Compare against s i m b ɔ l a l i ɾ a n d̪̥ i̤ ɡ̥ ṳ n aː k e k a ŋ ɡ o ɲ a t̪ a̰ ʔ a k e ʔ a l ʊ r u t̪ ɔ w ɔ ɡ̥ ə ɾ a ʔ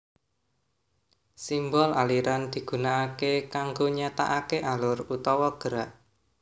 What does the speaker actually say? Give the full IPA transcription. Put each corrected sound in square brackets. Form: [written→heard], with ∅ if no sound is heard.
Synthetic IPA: s i m b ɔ l a l i ɾ a n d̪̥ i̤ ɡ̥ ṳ n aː k e k a ŋ ɡ o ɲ a t̪ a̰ ʔ a k e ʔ a l ʊ r u t̪ ɔ w ɔ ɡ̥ ə ɾ a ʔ